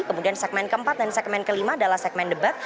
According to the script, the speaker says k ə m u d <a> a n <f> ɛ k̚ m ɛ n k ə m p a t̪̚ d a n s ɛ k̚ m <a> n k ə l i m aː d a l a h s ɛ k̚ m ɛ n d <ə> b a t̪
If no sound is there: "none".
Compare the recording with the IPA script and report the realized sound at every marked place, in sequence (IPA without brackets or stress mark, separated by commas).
i, s, ɛ, ə